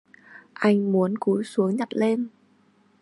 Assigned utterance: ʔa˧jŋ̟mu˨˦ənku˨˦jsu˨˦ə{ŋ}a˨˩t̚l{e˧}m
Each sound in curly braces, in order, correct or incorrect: incorrect: ɲ, correct

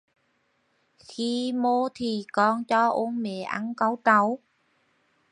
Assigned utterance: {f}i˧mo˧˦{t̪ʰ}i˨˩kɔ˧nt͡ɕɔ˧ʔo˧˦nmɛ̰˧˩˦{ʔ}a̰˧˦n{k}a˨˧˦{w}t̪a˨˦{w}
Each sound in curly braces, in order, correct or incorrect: incorrect: x, correct, correct, correct, correct, correct

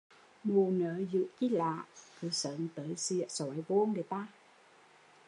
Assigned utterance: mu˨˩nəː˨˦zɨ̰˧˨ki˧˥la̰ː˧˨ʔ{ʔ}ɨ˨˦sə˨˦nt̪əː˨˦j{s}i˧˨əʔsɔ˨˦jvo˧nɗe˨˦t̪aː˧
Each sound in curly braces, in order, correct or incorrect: incorrect: k, correct

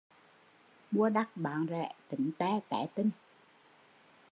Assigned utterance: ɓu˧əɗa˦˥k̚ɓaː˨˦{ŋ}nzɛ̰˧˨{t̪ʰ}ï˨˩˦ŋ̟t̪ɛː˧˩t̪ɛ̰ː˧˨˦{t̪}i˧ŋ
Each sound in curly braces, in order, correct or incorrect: incorrect: none, incorrect: t̪, correct

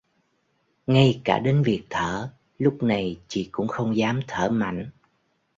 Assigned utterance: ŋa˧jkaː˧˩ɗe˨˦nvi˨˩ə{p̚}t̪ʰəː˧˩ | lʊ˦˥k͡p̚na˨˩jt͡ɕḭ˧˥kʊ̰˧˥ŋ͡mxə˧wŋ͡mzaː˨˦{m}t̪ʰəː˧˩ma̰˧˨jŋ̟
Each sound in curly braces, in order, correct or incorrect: incorrect: k̚, correct

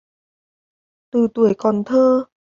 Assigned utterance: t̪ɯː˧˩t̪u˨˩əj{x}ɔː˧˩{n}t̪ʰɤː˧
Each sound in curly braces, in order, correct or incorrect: incorrect: k, correct

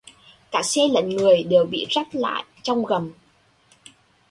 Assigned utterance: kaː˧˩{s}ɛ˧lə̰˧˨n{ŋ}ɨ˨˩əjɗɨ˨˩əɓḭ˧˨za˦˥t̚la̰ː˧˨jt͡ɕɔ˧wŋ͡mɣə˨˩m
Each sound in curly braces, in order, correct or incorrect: correct, correct

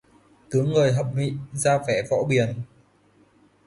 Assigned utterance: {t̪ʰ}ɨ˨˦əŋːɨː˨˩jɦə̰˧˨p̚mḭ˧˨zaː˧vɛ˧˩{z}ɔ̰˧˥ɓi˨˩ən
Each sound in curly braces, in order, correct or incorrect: incorrect: t̪, incorrect: v

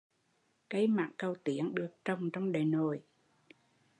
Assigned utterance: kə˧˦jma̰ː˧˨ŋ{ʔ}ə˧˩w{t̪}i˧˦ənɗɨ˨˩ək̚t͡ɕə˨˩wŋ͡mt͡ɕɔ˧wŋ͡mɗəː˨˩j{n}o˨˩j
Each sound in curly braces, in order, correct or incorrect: incorrect: k, correct, correct

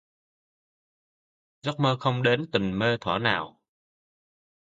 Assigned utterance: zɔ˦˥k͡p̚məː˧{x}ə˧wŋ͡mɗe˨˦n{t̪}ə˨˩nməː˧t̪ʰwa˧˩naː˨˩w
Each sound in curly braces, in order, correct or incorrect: correct, correct

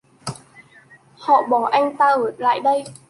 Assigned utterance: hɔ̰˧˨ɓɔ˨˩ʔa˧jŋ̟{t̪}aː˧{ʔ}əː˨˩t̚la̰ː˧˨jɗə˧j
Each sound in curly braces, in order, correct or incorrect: correct, correct

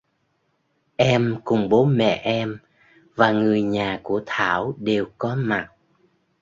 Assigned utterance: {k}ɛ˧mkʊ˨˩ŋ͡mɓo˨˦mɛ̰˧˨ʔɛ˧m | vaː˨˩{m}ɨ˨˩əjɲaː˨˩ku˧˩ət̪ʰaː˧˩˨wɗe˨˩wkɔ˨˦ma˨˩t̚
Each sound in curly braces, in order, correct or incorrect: incorrect: ʔ, incorrect: ŋ

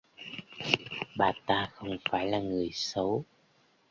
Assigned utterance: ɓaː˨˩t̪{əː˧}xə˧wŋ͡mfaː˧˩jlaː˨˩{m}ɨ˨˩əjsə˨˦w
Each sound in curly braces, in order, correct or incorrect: incorrect: aː˧, incorrect: ŋ

